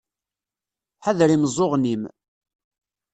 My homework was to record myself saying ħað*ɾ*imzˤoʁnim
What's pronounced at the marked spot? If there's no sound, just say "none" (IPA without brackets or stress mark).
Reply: ɾ